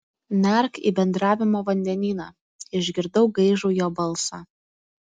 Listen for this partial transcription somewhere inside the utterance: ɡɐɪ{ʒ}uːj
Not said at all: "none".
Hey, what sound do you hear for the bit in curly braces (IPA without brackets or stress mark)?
ʒ